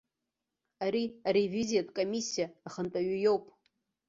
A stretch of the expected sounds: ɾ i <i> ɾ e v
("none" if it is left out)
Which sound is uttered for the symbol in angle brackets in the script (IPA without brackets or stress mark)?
a